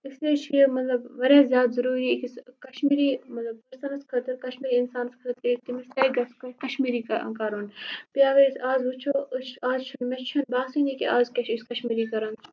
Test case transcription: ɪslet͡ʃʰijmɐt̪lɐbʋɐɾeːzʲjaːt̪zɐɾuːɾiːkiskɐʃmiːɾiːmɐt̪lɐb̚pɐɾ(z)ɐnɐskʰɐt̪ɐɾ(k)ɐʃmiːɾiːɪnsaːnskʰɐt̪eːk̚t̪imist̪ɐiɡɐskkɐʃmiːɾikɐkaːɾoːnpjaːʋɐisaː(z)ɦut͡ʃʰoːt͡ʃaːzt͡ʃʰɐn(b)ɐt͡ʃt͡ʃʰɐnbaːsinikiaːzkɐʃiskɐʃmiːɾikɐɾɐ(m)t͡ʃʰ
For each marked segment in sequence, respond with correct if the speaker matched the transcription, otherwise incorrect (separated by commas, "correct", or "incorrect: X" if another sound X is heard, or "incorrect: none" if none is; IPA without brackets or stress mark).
incorrect: s, correct, correct, incorrect: m, incorrect: n